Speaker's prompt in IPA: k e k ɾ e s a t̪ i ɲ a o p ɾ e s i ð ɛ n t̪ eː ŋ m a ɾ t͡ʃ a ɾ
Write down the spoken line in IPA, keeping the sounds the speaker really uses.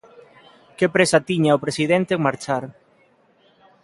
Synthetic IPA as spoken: k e p ɾ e s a t̪ i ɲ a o p ɾ e s i ð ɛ n t̪ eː ŋ m a ɾ t͡ʃ a ɾ